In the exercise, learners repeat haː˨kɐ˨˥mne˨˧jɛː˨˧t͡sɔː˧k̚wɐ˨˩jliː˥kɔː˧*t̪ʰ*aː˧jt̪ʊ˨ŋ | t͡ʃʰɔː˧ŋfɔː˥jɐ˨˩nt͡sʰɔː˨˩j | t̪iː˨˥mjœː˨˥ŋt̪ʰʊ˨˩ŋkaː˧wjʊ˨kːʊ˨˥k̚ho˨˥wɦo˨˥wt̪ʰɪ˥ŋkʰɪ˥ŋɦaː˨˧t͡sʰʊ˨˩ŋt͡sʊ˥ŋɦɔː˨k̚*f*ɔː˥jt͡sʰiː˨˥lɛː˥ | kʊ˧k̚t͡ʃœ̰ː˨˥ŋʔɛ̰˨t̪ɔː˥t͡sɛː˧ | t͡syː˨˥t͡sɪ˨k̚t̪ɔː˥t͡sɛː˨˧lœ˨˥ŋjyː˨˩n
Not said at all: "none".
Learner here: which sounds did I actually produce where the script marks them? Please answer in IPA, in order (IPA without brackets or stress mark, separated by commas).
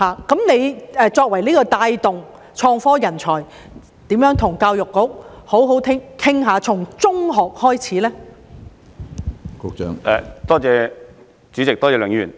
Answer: t̪, h